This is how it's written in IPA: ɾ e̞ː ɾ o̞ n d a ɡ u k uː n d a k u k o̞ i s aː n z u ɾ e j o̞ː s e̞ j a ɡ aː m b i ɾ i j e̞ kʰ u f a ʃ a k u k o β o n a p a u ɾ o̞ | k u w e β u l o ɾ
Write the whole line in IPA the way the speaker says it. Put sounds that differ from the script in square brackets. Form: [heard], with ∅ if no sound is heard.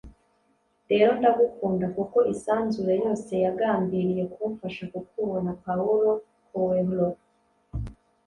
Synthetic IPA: ɾ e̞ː ɾ o̞ n d a ɡ u k uː n d a k u k o̞ i s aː n z u ɾ e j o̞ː s e̞ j a ɡ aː m b i ɾ i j e̞ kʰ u f a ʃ a k u k [u] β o n a p a u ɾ o̞ | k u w e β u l o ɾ